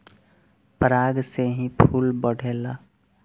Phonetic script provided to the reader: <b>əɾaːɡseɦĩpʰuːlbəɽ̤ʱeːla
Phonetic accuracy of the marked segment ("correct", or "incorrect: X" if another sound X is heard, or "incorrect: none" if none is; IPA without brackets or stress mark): incorrect: p